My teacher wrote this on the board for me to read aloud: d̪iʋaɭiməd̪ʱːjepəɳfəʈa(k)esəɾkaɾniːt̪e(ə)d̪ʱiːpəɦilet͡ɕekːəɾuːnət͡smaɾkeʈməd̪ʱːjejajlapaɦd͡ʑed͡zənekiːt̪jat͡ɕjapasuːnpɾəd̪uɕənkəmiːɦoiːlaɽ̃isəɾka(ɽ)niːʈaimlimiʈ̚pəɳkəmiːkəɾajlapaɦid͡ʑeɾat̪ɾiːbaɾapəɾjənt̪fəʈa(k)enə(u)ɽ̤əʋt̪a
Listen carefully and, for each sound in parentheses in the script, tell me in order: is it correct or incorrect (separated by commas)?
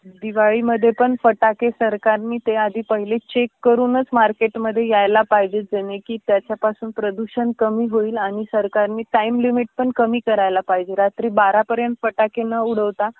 correct, incorrect, incorrect, correct, correct